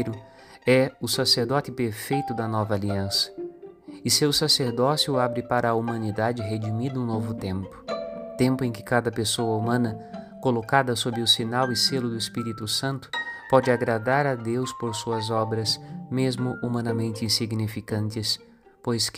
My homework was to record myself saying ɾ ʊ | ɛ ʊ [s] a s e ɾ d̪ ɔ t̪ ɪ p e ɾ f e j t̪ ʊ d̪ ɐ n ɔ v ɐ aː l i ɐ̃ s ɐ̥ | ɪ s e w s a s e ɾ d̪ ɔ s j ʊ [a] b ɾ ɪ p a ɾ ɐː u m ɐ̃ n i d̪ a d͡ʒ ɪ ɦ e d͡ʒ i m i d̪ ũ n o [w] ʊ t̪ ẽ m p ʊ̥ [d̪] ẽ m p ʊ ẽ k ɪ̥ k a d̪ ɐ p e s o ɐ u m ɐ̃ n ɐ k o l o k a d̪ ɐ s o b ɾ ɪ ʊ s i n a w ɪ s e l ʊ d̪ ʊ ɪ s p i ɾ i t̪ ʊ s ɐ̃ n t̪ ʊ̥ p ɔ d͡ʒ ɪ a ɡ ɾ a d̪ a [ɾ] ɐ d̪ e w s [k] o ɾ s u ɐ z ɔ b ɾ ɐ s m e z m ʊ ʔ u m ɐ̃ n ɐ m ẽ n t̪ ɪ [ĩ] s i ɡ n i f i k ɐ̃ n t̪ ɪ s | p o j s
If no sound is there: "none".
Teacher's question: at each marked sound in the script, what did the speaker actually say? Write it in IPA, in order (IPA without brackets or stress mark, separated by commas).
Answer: s, a, v, t̪, ɾ, p, ĩ